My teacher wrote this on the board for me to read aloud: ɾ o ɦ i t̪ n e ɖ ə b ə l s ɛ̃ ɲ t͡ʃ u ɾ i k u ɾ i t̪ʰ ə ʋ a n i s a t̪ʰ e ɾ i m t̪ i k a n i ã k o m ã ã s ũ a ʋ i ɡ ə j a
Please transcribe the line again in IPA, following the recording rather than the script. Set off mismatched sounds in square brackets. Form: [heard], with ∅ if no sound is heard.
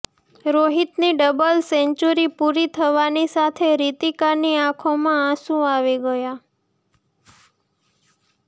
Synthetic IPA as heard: ɾ o ɦ i t̪ n [i] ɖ ə b ə l s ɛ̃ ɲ t͡ʃ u ɾ i [p] u ɾ i t̪ʰ ə ʋ a n i s a t̪ʰ e ɾ i [∅] t̪ i k a n i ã [kʰ] o m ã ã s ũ a ʋ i ɡ ə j a